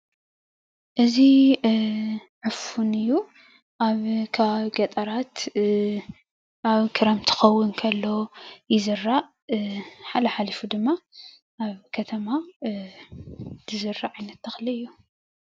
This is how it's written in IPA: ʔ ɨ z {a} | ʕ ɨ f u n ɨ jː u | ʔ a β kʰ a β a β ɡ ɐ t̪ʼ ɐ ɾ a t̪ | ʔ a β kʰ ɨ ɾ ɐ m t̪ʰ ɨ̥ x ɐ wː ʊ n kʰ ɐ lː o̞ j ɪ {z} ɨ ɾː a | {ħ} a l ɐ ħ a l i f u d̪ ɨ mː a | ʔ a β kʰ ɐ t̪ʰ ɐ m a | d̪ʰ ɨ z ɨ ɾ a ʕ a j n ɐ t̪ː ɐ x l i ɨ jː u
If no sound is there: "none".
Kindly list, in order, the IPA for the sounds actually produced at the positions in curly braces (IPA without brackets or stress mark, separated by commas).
i, z, ħ